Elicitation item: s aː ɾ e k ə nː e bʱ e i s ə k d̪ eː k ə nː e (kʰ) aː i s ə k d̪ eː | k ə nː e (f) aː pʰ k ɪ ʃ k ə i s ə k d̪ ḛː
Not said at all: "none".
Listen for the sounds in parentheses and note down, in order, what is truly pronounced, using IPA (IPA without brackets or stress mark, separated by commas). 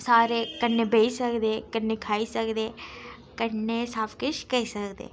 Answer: kʰ, s